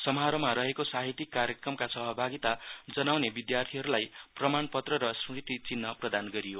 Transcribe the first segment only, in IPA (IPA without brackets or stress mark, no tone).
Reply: s